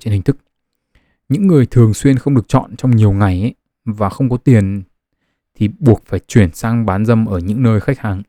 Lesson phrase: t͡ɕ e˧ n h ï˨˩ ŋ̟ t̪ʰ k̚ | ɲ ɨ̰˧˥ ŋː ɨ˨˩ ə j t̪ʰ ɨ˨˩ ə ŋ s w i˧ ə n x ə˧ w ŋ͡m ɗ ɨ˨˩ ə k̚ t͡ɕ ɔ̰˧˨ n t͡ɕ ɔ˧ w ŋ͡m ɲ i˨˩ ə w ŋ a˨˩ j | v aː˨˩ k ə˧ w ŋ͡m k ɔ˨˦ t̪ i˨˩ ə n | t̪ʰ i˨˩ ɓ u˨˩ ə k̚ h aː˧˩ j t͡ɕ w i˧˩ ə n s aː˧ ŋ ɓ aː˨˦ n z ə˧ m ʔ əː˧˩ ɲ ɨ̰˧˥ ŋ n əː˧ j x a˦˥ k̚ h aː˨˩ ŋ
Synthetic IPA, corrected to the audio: t͡ɕ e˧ n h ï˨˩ ŋ̟ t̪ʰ k̚ | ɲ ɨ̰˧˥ ŋː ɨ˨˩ ə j t̪ʰ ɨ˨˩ ə ŋ s w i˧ ə n x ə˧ w ŋ͡m ɗ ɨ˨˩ ə k̚ t͡ɕ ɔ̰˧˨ n t͡ɕ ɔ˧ w ŋ͡m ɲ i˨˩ ə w ŋ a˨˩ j | v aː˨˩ x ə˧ w ŋ͡m k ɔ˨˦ t̪ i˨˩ ə n | t̪ʰ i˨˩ ɓ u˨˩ ə k̚ f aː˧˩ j t͡ɕ w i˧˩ ə n s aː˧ ŋ ɓ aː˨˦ n z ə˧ m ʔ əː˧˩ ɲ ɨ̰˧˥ ŋ n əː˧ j x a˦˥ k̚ h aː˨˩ ŋ